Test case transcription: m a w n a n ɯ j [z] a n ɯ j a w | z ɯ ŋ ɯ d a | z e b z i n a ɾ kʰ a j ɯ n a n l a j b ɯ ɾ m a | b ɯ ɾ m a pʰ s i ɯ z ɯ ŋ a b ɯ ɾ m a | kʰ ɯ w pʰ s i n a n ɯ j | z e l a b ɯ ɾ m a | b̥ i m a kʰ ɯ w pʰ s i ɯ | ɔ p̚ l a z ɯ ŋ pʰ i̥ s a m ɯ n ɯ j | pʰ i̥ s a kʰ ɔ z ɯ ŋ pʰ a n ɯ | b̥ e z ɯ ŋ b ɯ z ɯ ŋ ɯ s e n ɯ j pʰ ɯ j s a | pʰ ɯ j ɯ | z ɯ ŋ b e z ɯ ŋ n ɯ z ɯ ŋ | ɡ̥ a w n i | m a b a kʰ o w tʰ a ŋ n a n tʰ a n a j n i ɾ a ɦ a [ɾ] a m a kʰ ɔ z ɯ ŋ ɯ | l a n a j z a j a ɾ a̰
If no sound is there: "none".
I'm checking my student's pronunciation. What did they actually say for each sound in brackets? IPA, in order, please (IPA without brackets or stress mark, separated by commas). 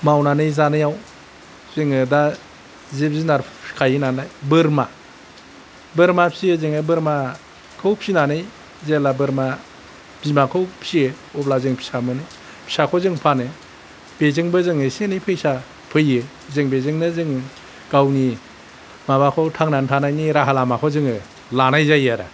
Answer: z, l